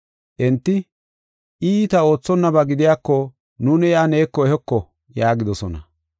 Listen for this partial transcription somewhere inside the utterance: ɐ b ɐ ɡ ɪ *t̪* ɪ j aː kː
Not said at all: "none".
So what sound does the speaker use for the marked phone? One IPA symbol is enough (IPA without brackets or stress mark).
d̪